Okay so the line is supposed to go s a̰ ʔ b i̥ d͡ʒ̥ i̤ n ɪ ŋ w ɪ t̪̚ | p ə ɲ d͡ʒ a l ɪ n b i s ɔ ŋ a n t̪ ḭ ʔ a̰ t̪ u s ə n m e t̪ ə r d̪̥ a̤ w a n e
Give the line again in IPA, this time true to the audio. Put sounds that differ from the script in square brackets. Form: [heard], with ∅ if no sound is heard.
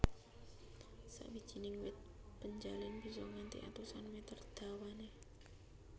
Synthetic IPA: s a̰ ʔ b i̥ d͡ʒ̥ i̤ n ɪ ŋ w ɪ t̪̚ | p ə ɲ d͡ʒ a l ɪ n b i s ɔ ŋ a n t̪ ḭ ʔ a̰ t̪ u s [a] n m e t̪ ə r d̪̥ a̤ w a n e